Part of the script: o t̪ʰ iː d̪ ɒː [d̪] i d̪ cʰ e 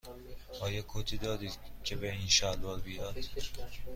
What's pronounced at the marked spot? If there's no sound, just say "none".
d̪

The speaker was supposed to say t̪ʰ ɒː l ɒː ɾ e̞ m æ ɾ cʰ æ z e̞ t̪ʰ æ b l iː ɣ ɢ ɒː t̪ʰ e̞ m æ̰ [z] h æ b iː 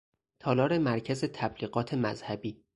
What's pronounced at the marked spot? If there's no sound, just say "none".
z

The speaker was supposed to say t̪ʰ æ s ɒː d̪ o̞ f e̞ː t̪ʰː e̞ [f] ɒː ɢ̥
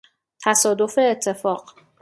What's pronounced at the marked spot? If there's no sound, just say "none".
f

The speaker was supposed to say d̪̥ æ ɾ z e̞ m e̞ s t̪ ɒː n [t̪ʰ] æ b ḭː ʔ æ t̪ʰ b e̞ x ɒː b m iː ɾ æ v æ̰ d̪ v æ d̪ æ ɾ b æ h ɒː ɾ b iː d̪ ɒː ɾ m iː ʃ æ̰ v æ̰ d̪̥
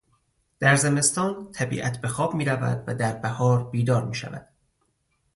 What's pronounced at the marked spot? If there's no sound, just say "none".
t̪ʰ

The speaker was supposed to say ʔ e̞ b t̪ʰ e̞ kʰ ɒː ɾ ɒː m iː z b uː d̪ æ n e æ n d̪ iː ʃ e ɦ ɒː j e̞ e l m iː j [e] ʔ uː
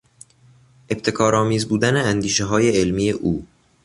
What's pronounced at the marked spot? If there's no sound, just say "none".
e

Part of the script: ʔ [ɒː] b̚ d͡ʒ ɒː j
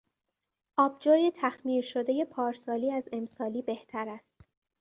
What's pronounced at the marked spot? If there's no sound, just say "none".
ɒː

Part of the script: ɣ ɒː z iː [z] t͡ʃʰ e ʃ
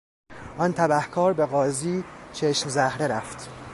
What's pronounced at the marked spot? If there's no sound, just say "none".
none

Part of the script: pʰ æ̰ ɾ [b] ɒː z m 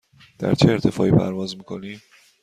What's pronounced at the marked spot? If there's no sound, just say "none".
v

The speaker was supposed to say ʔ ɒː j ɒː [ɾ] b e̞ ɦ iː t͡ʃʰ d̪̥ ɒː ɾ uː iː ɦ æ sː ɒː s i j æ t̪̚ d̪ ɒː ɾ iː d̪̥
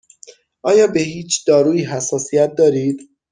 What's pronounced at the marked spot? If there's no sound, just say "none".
none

